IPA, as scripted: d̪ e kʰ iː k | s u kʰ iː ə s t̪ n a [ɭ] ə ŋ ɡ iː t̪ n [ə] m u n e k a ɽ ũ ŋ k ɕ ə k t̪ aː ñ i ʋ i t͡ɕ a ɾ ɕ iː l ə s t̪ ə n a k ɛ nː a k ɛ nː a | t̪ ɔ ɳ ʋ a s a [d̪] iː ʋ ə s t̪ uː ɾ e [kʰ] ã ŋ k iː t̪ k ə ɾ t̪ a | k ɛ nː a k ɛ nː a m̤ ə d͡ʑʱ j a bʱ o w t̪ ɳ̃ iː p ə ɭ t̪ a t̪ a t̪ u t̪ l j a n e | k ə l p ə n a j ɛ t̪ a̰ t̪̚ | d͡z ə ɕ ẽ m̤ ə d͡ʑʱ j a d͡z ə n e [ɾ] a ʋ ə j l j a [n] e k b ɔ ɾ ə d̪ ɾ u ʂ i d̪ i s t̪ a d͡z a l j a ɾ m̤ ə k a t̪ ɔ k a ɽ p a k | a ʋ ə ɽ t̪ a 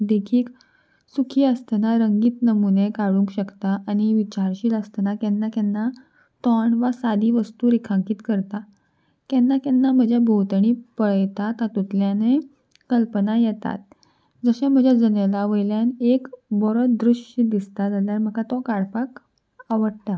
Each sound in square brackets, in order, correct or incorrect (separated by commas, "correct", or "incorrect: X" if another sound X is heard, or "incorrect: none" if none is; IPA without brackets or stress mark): incorrect: ɾ, correct, correct, correct, incorrect: l, correct